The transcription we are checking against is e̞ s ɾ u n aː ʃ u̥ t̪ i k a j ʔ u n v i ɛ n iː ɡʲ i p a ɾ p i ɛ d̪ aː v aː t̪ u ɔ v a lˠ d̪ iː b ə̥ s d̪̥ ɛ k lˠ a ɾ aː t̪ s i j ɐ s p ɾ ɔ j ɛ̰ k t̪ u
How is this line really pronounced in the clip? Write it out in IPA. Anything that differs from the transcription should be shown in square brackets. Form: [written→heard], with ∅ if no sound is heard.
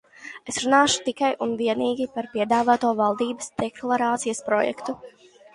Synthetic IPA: e̞ s ɾ u n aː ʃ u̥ t̪ i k a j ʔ u n v i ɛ n iː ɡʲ i p a ɾ p i ɛ d̪ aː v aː t̪ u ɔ v a lˠ d̪ iː b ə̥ s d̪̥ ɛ k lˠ a ɾ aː t̪ s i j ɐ s p ɾ ɔ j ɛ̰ k t̪ u

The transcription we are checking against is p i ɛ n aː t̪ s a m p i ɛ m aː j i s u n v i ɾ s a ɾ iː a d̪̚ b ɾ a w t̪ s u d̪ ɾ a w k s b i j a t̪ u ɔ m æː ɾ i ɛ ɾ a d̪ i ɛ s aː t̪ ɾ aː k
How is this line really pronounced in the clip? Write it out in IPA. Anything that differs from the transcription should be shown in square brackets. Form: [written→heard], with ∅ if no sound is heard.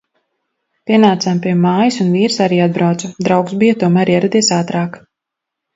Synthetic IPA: p i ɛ n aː t̪ s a m p i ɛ m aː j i s u n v [i→iː] ɾ s a ɾ iː a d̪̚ b ɾ a w t̪ s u d̪ ɾ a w k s b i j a t̪ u ɔ m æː ɾ i ɛ ɾ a d̪ i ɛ s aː t̪ ɾ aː k

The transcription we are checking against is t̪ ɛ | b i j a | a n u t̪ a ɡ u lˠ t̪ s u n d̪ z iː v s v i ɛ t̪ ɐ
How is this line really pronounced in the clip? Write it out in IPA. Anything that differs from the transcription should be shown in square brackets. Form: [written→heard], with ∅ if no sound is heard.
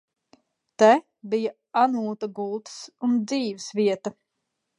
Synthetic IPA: t̪ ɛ | b i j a | a n [u→uː] t̪ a ɡ u lˠ t̪ s u n d̪ z iː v s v i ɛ t̪ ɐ

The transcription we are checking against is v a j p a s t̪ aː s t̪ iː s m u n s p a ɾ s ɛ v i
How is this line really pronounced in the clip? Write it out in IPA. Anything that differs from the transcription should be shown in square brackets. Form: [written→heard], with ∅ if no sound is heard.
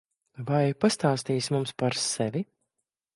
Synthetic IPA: v a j p a s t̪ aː s t̪ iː s m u [n→m] s p a ɾ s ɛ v i

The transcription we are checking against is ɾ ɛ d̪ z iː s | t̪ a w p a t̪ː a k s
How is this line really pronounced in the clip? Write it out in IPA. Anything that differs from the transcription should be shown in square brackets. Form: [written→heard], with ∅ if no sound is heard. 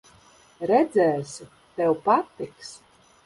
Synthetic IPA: ɾ ɛ d̪ z [iː→ɛː] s | t̪ [a→ɛ] w p a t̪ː [a→i] k s

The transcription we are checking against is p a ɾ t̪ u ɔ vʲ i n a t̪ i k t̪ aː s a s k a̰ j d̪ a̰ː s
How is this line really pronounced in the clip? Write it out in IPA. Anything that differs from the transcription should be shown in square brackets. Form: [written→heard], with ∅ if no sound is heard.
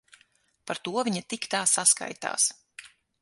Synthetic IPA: p a ɾ t̪ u ɔ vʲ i [n→ɲ] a t̪ i k t̪ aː s a s k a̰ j [d̪→t̪] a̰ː s

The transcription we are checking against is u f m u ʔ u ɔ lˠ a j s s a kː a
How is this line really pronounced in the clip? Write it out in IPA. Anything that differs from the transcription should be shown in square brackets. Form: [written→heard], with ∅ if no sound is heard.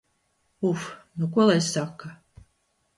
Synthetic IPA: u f [m→n] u [ʔ→k] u ɔ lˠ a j s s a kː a

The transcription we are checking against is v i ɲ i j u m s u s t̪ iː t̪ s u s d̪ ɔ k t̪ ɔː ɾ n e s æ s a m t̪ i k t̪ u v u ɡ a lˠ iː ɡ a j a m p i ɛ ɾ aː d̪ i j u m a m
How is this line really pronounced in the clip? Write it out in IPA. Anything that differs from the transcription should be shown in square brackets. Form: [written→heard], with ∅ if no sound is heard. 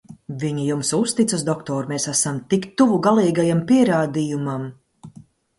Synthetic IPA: v i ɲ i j u m s u s t̪ [iː→i] t̪ s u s d̪ ɔ k t̪ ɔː ɾ [n→m] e s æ s a m t̪ i k t̪ u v u ɡ a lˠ iː ɡ a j a m p i ɛ ɾ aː d̪ i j u m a m

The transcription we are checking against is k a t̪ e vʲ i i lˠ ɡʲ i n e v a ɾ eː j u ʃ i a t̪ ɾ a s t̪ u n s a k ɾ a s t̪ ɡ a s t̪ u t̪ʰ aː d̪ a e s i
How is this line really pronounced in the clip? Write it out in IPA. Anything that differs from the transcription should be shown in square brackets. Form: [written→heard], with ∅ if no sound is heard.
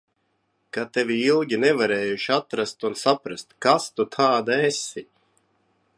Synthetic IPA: k a t̪ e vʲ i i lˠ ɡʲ i n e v a ɾ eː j u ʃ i a t̪ ɾ a s t̪ u n s a [k→p] ɾ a s t̪ [ɡ→k] a s t̪ u t̪ʰ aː d̪ a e s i

